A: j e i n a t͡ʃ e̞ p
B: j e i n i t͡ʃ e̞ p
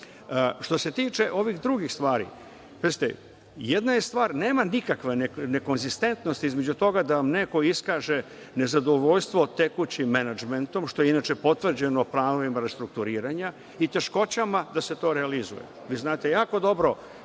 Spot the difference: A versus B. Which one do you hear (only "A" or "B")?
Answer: A